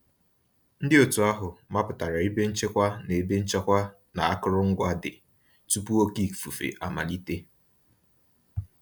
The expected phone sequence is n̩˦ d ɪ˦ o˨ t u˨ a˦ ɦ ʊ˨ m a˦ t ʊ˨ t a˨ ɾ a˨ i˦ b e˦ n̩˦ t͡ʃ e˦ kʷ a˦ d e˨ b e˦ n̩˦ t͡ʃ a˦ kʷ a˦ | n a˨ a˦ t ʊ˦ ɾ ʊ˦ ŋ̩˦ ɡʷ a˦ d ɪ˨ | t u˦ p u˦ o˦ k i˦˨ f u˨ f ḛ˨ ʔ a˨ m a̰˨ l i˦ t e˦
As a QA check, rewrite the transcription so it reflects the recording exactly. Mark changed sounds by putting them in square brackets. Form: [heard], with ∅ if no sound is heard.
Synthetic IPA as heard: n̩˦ d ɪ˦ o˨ t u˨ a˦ ɦ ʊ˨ m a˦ [p] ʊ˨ t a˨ ɾ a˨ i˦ b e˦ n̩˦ t͡ʃ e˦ kʷ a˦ [n] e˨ b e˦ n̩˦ t͡ʃ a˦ kʷ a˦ | n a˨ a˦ [k] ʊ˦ ɾ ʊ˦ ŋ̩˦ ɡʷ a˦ d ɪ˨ | t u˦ p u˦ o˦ k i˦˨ f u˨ f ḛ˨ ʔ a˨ m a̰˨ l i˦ t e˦